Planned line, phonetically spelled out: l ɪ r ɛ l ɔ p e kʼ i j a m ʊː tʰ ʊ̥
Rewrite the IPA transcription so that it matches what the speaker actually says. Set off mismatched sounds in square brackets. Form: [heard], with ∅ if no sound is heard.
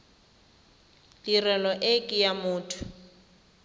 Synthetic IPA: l [i] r ɛ l ɔ [ʔ] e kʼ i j a m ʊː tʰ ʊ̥